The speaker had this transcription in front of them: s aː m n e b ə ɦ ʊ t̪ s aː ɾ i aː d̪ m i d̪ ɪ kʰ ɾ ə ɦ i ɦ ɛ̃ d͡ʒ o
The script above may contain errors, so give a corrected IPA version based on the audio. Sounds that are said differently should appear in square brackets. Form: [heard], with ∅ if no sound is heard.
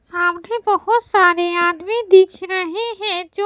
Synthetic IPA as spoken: s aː m n e b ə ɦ ʊ t̪ s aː ɾ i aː d̪ m i d̪ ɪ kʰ ɾ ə ɦ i ɦ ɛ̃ d͡ʒ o